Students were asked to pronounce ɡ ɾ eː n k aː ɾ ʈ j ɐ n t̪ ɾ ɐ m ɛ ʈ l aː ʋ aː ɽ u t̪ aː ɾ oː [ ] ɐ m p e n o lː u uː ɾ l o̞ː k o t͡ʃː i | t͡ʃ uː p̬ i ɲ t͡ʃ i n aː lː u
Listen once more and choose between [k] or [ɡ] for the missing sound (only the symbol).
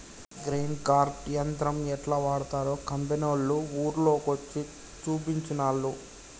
k